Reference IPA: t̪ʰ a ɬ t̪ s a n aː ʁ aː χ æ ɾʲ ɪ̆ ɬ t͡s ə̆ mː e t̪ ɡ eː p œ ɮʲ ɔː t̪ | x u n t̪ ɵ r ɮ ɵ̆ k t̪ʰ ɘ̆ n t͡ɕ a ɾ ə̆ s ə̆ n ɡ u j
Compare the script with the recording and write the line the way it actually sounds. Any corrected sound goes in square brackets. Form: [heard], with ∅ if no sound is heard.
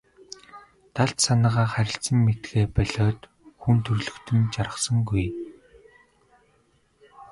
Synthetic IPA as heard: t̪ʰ a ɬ t̪ s a n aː ʁ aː χ æ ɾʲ ɪ̆ ɬ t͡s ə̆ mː e t̪ ɡ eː p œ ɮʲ ɔː t̪ | x u n [t̪ʰ] ɵ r ɮ ɵ̆ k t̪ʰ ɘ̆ n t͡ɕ a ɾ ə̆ s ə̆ [ŋ] ɡ u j

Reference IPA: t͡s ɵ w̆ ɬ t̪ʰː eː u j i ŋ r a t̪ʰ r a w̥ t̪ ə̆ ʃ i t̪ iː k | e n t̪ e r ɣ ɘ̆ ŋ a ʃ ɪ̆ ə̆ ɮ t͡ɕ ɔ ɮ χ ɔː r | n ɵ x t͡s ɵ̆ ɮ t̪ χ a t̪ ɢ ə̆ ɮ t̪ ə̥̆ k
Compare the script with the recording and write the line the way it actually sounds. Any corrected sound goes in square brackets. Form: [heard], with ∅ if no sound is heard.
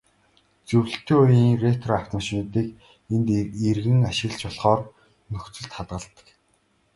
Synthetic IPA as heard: t͡s ɵ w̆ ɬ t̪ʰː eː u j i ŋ r [e] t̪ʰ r a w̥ t̪ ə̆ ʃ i t̪ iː k | e n t̪ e r ɣ ɘ̆ ŋ a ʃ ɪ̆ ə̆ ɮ t͡ɕ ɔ ɮ χ ɔː r | n ɵ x t͡s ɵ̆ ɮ t̪ χ a t̪ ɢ ə̆ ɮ t̪ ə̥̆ k

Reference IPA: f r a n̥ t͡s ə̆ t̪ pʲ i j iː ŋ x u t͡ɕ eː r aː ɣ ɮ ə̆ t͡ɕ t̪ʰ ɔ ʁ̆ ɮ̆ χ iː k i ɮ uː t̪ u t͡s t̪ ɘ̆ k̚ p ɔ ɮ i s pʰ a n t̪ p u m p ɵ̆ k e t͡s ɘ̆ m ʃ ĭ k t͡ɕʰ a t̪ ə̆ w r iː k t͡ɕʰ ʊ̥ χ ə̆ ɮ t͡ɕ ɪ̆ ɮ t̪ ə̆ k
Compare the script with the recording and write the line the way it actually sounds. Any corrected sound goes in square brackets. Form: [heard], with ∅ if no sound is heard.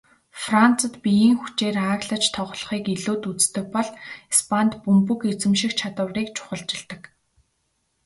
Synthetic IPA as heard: f r a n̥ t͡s ə̆ t̪ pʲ i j iː ŋ x u t͡ɕ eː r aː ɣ ɮ ə̆ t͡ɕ t̪ʰ ɔ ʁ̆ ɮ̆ χ iː k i ɮ uː t̪ u t͡s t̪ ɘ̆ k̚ p ɔ ɮ i s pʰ a n t̪ p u m p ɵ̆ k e t͡s ɘ̆ m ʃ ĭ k t͡ɕʰ a t̪ ə̆ w r iː k t͡ɕʰ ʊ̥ χ ə̆ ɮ t͡ɕ ɪ̆ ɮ t̪ ə̆ k

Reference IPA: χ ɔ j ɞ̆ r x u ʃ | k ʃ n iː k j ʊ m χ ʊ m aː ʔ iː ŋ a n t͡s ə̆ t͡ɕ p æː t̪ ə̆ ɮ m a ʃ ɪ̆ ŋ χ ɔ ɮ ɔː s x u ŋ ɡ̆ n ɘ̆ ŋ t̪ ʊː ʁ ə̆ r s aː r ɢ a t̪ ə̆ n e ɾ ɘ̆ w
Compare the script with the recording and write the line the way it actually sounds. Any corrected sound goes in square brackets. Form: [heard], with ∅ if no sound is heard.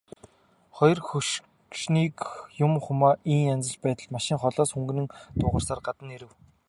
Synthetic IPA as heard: χ ɔ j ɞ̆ r x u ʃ | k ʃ n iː k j ʊ m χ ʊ m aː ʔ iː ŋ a n t͡s ə̆ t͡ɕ p æː t̪ ə̆ ɮ m a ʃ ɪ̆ ŋ χ ɔ ɮ ɔː s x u ŋ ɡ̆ n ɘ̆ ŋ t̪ ʊː ʁ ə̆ r s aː r ɢ a t̪ ə̆ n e ɾ ɘ̆ w

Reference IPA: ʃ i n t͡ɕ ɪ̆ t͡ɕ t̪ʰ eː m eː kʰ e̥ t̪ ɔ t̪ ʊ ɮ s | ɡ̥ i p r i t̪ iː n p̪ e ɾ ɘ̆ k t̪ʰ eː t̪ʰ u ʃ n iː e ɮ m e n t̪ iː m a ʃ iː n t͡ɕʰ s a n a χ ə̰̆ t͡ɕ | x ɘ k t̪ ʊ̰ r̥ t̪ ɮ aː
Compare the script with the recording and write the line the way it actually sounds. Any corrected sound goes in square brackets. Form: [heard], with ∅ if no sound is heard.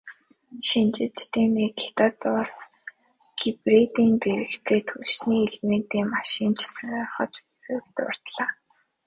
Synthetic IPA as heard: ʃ i n t͡ɕ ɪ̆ t͡ɕ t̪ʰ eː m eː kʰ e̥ t̪ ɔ t̪ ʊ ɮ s | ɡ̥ i p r i t̪ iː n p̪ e ɾ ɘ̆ k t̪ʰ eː t̪ʰ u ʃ n iː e ɮ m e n t̪ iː m a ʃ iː n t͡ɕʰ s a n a χ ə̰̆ t͡ɕ | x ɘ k t̪ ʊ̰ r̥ t̪ ɮ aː

